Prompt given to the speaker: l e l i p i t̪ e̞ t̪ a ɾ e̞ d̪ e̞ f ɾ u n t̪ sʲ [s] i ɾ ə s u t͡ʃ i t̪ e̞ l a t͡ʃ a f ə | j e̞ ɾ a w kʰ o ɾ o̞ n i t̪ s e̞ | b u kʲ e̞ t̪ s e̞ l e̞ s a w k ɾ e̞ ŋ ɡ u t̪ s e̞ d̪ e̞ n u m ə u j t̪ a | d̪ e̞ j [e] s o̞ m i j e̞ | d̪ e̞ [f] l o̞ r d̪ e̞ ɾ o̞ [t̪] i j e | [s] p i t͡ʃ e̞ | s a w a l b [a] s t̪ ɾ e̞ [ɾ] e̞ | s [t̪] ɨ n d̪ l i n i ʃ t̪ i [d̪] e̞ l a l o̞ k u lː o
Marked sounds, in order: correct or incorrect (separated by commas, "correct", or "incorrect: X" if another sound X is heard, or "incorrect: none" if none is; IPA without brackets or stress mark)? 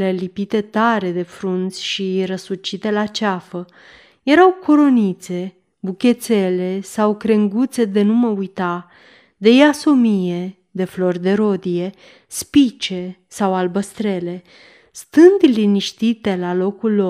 incorrect: ʃ, incorrect: a, correct, incorrect: d̪, correct, incorrect: ə, incorrect: l, correct, incorrect: t̪